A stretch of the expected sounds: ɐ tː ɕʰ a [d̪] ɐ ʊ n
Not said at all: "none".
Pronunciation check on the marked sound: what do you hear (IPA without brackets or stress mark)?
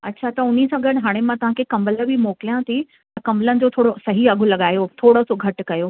t̪